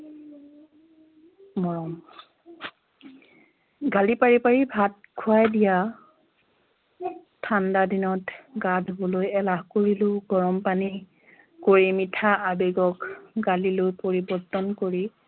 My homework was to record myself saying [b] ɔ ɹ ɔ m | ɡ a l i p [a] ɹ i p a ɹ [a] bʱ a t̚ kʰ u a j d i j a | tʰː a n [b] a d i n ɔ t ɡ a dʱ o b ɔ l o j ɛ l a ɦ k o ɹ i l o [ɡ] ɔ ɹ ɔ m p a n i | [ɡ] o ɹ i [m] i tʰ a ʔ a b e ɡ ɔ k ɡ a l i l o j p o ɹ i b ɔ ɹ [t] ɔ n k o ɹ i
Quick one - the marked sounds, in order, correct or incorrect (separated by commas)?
incorrect, correct, incorrect, incorrect, correct, incorrect, correct, correct